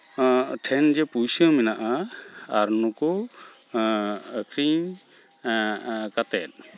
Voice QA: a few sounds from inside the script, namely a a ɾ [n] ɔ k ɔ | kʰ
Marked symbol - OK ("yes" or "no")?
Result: yes